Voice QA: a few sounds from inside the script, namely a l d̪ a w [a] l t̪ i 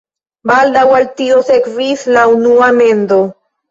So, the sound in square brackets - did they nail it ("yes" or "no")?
yes